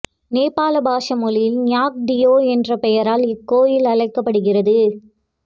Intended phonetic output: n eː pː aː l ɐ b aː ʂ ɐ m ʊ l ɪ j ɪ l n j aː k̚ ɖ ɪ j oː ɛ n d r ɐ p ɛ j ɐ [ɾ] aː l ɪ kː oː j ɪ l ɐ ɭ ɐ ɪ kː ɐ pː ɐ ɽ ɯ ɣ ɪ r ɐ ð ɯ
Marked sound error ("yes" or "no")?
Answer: no